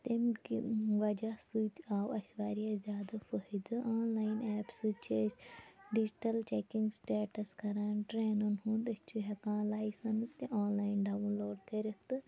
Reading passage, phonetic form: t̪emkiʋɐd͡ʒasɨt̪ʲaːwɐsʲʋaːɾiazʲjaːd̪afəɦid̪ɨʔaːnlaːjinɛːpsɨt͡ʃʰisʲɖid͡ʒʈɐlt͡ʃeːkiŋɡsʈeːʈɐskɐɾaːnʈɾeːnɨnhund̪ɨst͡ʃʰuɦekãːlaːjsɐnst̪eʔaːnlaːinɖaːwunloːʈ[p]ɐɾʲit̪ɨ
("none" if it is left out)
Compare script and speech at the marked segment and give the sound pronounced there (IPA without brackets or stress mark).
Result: k